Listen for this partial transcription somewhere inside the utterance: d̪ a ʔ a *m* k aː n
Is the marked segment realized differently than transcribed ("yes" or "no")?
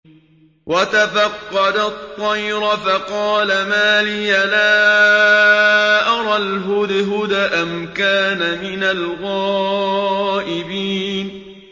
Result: no